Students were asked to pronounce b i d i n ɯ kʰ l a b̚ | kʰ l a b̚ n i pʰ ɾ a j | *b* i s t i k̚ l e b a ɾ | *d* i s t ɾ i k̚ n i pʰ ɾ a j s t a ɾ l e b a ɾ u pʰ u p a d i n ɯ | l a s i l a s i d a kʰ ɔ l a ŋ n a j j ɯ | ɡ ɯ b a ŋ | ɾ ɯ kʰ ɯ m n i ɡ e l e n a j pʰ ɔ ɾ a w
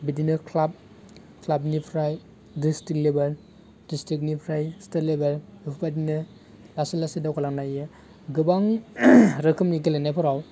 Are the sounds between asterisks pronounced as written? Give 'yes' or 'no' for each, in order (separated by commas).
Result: no, yes